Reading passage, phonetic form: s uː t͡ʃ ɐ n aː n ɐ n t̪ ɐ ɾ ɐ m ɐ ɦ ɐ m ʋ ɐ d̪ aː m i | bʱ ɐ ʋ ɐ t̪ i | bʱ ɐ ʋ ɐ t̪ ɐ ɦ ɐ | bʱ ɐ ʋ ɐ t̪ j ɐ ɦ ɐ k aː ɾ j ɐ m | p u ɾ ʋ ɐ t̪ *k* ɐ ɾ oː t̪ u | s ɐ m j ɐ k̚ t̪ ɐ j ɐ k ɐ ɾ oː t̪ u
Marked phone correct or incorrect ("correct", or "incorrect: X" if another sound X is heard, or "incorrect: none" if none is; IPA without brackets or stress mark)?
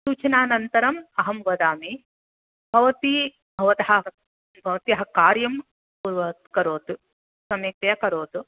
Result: correct